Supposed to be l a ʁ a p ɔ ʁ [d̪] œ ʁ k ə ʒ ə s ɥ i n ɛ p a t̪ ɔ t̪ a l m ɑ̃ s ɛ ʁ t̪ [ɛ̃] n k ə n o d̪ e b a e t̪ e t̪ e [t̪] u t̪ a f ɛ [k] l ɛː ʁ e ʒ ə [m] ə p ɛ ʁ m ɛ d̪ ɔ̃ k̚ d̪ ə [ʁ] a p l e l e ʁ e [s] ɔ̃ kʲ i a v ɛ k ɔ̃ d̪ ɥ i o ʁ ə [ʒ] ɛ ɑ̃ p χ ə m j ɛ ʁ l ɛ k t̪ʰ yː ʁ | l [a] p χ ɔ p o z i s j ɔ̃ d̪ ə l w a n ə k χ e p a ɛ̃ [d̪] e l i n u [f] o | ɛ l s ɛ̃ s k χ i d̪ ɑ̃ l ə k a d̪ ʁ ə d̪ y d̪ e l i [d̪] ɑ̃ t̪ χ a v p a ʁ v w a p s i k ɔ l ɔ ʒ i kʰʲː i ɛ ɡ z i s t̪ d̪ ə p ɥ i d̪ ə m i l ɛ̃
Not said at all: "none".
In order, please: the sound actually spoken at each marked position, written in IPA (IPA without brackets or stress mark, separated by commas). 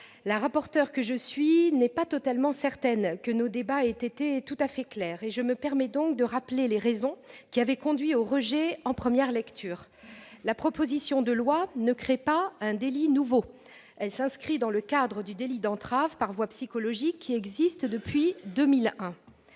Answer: t̪, ɛ, t̪, k, m, ʁ, z, ʒ, a, d̪, v, d̪